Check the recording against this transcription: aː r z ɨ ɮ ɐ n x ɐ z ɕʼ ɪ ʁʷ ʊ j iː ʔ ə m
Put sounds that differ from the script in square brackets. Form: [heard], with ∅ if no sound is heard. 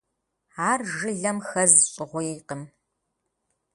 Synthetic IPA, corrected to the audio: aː r [ʒ] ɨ ɮ ɐ [m] x ɐ z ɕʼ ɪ ʁʷ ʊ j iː [q] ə m